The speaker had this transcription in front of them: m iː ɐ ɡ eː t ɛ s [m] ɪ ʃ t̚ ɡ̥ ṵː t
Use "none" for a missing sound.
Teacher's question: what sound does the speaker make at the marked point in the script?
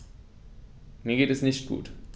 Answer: n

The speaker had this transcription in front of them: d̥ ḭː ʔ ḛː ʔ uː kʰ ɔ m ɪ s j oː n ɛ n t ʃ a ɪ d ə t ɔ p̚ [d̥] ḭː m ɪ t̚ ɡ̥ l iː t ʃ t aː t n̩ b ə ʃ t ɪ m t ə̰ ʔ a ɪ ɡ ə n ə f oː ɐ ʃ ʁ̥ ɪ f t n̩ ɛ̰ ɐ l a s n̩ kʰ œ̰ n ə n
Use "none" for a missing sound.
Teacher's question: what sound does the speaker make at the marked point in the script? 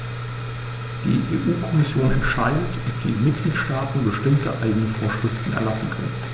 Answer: d̥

